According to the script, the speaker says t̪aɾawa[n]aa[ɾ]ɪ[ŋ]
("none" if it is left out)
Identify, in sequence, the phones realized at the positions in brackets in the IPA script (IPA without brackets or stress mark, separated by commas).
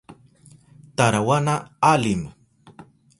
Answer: n, l, m